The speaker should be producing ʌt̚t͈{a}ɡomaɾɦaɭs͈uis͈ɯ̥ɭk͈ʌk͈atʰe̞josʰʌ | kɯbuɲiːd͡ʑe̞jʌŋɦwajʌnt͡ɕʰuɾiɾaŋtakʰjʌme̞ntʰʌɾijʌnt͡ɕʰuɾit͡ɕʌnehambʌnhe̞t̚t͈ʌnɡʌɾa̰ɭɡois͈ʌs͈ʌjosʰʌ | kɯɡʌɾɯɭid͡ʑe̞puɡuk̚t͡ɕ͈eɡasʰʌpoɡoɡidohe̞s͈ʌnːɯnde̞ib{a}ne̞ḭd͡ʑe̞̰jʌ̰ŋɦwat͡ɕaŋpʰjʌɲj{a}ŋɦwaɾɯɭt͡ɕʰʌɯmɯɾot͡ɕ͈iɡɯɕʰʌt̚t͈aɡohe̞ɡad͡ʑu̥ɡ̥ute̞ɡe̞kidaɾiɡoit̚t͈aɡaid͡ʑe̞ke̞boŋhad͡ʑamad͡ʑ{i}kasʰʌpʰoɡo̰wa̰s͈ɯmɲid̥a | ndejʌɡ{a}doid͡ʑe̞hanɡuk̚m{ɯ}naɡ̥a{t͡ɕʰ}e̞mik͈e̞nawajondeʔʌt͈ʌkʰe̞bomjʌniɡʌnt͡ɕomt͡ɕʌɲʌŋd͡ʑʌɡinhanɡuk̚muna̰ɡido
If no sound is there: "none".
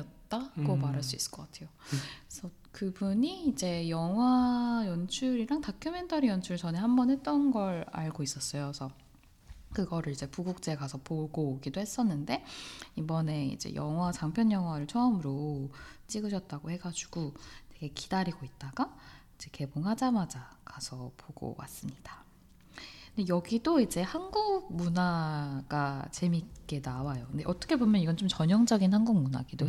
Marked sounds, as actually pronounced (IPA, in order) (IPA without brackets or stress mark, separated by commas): a, ʌ, ʌ, a, i, u, t͡ɕ